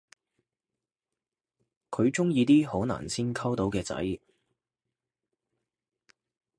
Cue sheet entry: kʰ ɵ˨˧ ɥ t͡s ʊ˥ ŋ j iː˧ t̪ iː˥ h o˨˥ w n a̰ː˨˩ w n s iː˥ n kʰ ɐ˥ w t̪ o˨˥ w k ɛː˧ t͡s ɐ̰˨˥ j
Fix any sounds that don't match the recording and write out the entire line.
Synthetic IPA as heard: kʰ ɵ˨˧ ɥ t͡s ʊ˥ ŋ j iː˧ t̪ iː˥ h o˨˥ w n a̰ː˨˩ n s iː˥ n kʰ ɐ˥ w t̪ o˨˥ w k ɛː˧ t͡s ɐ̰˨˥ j